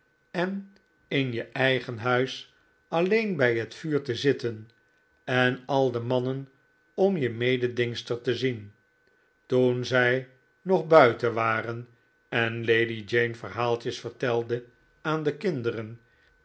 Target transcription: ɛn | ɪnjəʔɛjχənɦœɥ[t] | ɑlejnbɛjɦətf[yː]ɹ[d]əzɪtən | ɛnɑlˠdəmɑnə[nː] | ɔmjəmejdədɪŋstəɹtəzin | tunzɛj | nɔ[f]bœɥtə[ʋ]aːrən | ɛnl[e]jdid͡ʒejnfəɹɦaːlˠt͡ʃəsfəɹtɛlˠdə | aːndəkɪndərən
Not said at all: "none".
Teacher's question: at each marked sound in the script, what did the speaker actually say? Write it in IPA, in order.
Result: s, yː, t, n, χ, ʋ, e

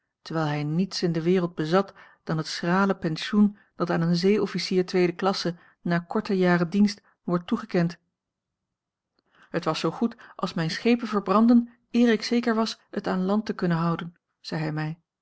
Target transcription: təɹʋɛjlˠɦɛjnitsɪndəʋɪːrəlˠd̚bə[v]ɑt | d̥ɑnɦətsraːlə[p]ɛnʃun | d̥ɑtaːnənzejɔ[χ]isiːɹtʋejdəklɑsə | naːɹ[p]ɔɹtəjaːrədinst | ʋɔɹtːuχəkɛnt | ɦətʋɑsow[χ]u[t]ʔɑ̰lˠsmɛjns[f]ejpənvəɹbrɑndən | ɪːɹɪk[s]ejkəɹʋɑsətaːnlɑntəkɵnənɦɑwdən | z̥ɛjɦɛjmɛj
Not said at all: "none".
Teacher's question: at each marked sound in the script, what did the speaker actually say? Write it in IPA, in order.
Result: z, p, f, k, χ, t, χ, s

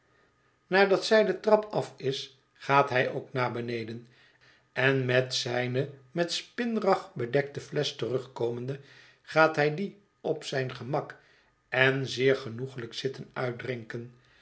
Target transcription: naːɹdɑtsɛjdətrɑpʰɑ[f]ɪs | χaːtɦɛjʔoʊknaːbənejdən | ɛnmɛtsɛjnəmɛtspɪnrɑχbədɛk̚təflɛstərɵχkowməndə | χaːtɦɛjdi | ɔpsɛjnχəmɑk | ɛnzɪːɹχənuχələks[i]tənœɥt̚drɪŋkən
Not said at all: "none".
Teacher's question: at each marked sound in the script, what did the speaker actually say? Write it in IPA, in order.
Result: f, ɪ

